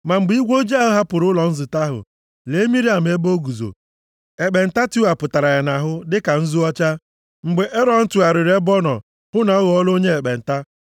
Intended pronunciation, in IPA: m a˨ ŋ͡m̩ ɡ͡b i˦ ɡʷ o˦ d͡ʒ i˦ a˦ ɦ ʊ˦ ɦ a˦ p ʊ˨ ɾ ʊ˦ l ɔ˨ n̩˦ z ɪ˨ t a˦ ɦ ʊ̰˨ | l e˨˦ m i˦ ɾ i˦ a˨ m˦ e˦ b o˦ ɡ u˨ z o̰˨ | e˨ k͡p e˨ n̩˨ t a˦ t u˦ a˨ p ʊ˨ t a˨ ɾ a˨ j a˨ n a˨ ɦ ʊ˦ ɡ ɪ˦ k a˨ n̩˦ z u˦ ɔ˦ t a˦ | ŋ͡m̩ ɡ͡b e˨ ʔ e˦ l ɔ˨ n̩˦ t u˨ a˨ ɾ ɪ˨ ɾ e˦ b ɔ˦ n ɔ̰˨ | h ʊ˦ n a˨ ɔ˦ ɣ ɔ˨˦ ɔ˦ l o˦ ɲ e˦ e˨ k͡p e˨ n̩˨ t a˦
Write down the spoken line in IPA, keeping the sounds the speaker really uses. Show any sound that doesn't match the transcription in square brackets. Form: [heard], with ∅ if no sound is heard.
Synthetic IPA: m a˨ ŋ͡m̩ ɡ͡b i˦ ɡʷ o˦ d͡ʒ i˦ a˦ ɦ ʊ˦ ɦ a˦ p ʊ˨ ɾ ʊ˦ l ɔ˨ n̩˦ z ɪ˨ t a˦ ɦ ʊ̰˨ | l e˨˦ m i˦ ɾ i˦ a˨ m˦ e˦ b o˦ ɡ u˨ z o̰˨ | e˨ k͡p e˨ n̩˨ t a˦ t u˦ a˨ p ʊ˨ t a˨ ɾ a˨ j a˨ n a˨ ɦ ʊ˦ [d] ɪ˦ k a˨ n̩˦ z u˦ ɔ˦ [t͡ʃ] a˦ | ŋ͡m̩ ɡ͡b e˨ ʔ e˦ [ɾ] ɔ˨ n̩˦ t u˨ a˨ ɾ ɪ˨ ɾ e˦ b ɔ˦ n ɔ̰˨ | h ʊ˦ n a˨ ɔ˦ ɣ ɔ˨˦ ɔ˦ l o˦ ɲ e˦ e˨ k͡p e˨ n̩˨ t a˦